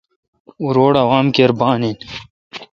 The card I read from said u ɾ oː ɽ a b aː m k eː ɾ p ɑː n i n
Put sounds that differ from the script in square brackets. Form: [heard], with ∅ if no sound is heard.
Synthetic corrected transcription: u ɾ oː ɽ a [w] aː m k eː ɾ [b] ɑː n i n